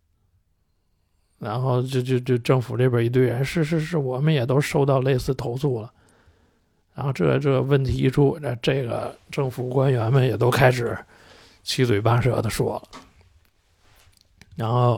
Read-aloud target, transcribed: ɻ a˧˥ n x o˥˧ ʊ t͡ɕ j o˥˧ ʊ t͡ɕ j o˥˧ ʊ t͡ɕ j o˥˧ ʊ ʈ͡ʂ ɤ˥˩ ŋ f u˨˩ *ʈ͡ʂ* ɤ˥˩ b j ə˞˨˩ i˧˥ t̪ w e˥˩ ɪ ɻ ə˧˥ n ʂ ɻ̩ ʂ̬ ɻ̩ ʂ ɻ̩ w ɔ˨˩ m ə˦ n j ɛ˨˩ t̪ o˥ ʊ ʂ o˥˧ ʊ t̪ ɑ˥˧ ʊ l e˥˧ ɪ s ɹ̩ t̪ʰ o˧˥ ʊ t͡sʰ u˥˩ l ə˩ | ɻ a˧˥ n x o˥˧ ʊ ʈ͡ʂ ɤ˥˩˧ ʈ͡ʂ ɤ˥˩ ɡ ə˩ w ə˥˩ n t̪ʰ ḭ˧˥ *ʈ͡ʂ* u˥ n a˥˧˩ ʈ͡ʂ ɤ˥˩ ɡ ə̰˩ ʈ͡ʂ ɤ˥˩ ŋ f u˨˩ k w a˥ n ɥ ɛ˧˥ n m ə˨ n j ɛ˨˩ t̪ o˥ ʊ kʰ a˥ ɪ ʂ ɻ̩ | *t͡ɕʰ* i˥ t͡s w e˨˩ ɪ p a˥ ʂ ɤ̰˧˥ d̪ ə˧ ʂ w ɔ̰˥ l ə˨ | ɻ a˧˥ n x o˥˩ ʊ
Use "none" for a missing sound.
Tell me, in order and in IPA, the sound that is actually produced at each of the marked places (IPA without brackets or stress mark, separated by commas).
ʈ͡ʂ, ʈ͡ʂʰ, t͡ɕʰ